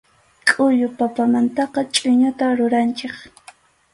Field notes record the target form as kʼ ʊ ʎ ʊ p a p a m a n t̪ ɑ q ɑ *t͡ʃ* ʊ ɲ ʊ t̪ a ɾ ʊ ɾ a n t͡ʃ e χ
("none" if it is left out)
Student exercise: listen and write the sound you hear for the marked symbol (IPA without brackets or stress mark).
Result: t͡ʃʼ